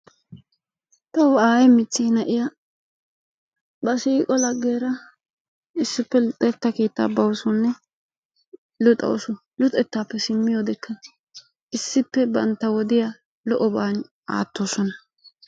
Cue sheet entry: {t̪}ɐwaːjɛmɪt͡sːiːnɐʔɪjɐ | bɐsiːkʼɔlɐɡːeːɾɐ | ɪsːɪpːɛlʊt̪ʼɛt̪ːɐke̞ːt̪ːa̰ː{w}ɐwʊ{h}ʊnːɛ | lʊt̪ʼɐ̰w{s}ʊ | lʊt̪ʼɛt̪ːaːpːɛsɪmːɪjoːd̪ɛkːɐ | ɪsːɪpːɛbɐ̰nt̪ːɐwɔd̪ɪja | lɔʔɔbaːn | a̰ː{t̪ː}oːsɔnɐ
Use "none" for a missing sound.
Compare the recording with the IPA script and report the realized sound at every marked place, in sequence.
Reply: t̪, b, s, s, t̪ː

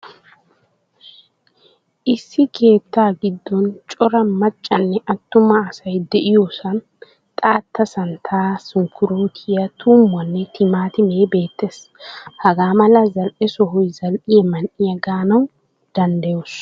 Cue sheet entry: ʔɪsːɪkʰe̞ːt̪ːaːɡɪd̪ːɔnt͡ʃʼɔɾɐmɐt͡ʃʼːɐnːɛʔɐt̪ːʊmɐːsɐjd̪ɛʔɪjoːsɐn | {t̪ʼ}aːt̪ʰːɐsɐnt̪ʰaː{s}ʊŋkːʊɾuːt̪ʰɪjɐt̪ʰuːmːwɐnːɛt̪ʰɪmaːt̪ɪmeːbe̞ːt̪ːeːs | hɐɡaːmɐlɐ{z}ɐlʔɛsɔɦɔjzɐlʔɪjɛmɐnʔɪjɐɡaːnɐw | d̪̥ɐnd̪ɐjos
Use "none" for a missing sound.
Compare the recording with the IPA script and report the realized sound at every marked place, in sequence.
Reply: t̪ʼ, s, z

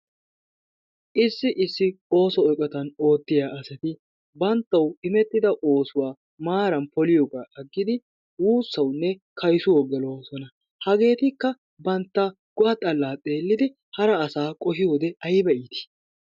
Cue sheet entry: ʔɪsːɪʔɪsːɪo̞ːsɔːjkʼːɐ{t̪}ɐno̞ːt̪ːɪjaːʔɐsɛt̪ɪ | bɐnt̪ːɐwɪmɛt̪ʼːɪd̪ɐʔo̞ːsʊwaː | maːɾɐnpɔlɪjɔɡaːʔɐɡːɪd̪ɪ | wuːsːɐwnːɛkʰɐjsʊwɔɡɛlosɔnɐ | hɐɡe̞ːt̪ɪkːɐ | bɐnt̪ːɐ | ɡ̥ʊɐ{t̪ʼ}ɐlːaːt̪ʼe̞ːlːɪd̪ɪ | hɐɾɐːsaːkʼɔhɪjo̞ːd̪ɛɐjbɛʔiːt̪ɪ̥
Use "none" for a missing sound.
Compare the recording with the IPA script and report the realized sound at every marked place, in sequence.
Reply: t̪, t̪ʼ

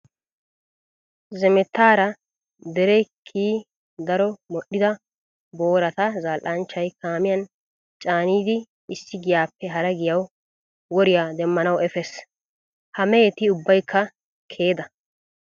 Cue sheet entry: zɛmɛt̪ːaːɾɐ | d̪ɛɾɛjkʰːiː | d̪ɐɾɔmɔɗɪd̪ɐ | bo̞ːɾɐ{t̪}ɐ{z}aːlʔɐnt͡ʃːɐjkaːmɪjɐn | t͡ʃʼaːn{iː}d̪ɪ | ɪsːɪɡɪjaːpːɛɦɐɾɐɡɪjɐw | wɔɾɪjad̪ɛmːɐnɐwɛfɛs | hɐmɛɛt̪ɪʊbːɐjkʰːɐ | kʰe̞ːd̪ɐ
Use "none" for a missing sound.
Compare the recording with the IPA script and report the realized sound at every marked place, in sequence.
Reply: t̪, z, iː

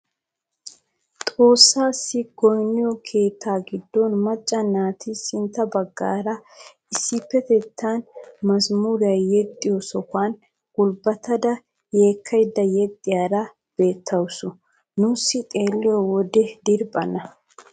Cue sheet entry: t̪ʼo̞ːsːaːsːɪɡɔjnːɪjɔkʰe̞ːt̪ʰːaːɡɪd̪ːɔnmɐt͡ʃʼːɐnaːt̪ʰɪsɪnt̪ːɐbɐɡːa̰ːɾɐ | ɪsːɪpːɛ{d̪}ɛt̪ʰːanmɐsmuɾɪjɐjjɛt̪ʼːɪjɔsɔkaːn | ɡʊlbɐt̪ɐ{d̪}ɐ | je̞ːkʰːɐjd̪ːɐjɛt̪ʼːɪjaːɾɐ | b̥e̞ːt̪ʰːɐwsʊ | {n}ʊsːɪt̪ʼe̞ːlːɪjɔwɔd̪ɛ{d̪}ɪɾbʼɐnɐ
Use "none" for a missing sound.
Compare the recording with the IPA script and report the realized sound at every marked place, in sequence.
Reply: t̪, d̪, n, d̪

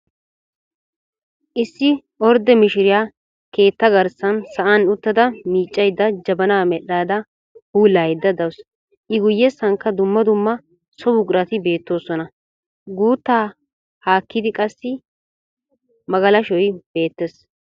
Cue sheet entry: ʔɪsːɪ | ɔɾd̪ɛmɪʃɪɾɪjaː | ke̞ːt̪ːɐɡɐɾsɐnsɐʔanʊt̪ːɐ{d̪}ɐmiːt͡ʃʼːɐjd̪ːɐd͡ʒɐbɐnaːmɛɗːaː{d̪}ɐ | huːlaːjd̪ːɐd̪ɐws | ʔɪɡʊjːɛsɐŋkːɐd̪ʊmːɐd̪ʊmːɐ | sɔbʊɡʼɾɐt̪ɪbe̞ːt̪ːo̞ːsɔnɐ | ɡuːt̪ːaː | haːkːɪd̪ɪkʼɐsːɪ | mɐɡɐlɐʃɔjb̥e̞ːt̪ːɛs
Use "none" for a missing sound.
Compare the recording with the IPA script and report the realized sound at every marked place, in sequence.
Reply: d̪, d̪

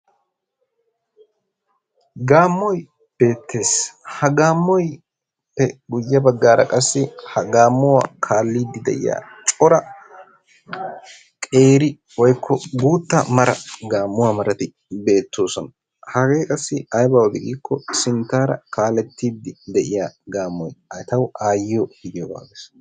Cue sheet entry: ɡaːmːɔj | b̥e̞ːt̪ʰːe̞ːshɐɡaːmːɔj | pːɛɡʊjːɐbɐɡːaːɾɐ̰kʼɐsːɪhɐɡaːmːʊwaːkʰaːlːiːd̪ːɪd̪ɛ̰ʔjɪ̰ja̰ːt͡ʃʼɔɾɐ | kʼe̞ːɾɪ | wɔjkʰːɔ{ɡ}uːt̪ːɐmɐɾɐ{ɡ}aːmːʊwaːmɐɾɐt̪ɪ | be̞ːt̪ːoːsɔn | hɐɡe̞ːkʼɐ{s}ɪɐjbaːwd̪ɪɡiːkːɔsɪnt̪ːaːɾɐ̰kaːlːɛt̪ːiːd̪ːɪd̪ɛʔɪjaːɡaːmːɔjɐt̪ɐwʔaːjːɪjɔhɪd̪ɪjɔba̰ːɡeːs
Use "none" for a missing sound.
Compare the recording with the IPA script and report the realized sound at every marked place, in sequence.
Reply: ɡ, ɡ, sː

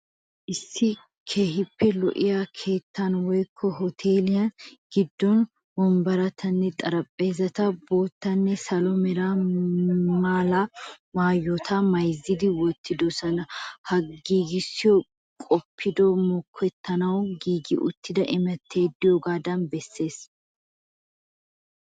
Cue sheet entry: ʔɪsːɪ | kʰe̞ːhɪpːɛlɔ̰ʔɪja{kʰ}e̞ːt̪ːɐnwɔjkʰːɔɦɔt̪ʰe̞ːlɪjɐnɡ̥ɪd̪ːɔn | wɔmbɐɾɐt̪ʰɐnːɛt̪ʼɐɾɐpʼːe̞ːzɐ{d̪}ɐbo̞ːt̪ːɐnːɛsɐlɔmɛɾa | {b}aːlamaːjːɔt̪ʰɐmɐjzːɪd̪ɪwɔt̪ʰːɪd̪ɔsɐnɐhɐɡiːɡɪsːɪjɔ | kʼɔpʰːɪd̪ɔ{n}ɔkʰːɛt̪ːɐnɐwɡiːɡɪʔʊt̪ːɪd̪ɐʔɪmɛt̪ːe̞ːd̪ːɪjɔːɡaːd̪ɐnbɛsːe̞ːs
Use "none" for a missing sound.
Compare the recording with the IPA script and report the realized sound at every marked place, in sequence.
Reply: kʰ, t̪, m, m

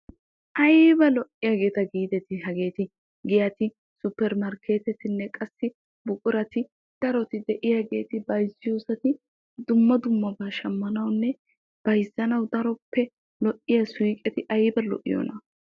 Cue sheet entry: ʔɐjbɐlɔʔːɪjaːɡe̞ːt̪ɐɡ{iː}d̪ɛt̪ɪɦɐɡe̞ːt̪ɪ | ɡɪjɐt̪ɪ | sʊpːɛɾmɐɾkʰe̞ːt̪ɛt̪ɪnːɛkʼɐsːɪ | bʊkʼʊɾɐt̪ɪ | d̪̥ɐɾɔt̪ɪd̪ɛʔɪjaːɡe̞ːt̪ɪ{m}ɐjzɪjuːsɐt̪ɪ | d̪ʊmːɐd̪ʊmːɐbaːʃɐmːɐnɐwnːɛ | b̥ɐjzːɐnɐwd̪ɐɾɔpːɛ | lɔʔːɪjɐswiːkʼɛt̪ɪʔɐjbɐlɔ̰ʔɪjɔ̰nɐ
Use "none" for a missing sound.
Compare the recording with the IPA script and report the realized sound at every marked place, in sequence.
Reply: iː, b

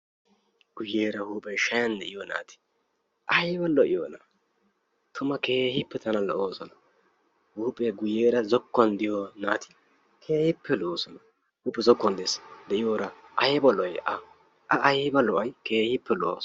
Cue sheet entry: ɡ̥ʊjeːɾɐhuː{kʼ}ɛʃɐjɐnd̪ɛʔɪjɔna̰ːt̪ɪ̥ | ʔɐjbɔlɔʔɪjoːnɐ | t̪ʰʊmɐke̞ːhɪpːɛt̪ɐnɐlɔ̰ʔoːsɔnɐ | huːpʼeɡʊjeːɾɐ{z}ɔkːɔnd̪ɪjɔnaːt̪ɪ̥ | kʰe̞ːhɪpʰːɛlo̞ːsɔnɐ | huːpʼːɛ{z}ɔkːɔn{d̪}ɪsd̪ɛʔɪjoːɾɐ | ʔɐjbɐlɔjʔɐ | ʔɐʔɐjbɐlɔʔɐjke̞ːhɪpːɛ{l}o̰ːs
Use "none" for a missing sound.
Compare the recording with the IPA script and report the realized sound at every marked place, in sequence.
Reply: pʼ, z, z, d̪, l

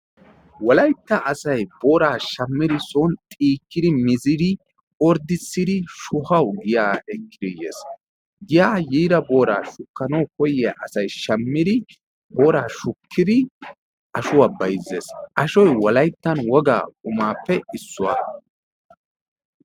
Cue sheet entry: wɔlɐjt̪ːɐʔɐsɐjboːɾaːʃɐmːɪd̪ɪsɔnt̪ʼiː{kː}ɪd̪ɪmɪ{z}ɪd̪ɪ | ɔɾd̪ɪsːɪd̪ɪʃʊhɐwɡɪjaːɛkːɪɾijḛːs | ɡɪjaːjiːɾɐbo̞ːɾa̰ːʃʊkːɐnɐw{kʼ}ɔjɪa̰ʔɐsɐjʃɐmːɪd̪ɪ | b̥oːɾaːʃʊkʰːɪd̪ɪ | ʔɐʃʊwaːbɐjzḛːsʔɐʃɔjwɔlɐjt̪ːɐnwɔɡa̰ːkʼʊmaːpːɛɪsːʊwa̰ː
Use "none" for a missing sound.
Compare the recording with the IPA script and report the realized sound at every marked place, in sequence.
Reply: kː, z, k

